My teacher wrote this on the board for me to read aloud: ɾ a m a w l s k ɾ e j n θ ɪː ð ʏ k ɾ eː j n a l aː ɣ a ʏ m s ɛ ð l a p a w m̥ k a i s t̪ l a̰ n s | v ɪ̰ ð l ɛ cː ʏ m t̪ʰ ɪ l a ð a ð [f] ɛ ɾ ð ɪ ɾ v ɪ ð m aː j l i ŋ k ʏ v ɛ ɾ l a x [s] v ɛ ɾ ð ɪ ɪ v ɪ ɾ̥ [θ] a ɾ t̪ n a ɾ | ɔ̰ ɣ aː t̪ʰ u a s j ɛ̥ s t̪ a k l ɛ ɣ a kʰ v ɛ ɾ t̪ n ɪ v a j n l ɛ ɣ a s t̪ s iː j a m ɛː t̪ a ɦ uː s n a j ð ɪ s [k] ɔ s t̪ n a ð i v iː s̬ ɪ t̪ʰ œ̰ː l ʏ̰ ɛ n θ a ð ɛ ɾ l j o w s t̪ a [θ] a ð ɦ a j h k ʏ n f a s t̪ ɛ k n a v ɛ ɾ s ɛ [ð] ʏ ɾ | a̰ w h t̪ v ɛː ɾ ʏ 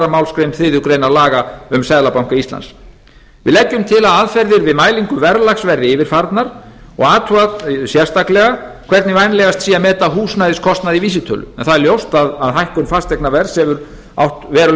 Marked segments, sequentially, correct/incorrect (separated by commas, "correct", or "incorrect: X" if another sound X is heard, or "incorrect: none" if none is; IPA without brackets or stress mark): correct, correct, incorrect: f, incorrect: kʰ, incorrect: ð, incorrect: v